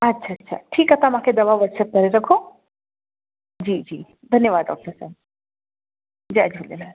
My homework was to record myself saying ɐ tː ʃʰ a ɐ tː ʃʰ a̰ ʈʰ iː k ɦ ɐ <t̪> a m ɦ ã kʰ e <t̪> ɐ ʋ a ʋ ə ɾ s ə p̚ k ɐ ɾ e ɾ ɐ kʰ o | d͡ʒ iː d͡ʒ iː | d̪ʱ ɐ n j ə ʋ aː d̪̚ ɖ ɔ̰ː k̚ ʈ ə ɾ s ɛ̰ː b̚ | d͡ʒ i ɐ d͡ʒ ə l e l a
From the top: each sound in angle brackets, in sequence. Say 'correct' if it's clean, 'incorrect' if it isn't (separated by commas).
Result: correct, incorrect